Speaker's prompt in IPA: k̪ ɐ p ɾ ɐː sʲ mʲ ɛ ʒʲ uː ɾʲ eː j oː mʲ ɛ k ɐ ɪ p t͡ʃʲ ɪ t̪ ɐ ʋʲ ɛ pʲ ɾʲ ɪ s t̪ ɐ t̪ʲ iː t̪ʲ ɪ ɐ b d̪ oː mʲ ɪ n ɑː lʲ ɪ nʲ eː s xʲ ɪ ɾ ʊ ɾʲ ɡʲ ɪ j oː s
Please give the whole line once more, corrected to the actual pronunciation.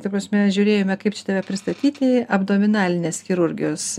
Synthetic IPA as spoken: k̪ ɐ p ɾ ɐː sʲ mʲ ɛ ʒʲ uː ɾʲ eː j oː mʲ ɛ k ɐ ɪ p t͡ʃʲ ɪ t̪ ɐ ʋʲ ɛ pʲ ɾʲ ɪ s t̪ ɐ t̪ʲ iː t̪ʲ ɪ ɐ b d̪ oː mʲ ɪ n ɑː lʲ ɪ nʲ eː s xʲ ɪ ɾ ʊ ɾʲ ɡʲ ɪ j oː s